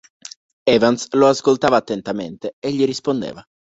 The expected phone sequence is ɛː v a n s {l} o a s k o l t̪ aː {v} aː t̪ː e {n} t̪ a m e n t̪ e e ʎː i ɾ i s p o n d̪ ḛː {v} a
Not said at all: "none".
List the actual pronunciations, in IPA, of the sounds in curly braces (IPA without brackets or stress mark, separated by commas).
l, v, n, v